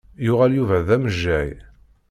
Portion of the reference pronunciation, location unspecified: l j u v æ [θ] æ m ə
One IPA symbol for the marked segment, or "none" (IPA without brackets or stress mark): ð